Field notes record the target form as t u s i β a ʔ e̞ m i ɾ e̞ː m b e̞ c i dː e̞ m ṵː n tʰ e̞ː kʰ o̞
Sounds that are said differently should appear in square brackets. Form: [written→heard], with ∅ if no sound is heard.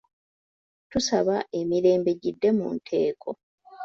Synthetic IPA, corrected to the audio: t u s [i→a] β a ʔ e̞ m i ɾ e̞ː m b e̞ [c→ɟ] i dː e̞ m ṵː n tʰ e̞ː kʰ o̞